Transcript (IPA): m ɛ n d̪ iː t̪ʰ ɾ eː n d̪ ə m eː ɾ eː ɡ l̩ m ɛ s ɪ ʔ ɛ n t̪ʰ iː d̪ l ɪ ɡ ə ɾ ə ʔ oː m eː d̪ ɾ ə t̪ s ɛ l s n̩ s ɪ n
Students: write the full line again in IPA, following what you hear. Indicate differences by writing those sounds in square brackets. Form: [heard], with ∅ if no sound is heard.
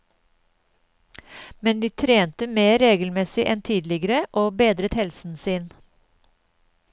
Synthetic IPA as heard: m ɛ n d̪ iː t̪ʰ ɾ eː n [t̪] ə m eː ɾ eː ɡ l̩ m ɛ s ɪ ʔ ɛ n t̪ʰ iː d̪ l ɪ ɡ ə ɾ ə ʔ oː [b] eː d̪ ɾ ə t̪ [h] ɛ l s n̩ s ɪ n